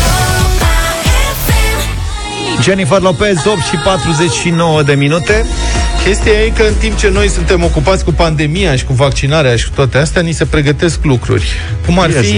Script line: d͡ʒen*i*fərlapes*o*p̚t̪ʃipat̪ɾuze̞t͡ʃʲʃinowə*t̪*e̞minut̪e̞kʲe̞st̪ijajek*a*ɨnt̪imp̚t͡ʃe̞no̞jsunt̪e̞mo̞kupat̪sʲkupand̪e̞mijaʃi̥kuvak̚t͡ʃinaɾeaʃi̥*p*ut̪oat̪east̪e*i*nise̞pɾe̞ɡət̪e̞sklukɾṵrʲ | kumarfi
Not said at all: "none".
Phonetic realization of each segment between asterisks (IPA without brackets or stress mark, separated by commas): i, o, d̪, ə, k, a